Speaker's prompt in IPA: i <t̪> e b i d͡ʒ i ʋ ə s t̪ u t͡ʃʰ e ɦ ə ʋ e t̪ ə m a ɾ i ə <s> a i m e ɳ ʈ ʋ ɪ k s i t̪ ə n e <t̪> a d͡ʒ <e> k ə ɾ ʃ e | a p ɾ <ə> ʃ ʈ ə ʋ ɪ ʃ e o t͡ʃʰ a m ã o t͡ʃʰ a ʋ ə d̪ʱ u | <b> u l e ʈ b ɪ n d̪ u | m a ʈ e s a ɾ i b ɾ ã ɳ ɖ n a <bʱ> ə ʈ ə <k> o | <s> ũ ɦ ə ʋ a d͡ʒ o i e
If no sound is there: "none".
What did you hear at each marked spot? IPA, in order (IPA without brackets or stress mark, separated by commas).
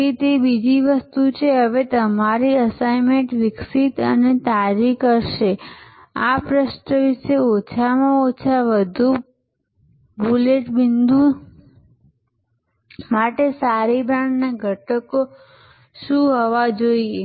t̪, s, t̪, i, ə, b, ɡʱ, k, ʃ